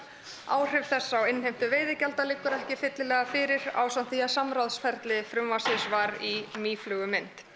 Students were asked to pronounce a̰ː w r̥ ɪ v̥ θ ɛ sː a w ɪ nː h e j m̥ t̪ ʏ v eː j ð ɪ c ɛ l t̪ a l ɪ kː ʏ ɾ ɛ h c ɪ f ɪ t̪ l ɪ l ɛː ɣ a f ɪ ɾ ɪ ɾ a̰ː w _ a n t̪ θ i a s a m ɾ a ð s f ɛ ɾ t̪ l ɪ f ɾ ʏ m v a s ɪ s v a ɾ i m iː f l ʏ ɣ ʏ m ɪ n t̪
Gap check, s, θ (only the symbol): s